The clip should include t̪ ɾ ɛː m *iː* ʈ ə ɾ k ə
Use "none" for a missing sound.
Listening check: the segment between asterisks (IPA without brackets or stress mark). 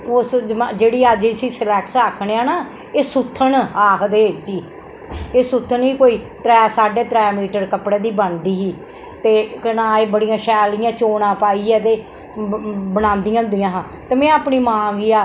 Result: iː